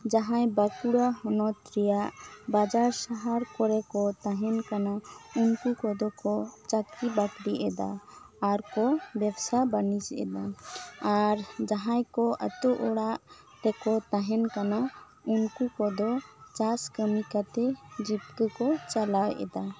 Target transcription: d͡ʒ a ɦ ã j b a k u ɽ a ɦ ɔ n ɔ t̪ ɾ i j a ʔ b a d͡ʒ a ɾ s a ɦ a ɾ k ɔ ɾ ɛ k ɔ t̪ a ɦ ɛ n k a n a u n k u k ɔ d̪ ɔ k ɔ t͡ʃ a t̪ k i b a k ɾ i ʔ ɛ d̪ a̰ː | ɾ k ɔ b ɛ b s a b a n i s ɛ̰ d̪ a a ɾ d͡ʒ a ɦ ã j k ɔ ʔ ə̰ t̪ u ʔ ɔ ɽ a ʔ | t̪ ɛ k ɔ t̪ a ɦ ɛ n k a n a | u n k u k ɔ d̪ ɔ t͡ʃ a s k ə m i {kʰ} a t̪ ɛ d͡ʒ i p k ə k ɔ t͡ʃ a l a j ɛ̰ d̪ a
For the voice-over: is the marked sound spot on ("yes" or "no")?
no